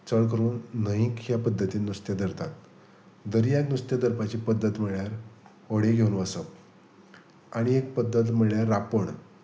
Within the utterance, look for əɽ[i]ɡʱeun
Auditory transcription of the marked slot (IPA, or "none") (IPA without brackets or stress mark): e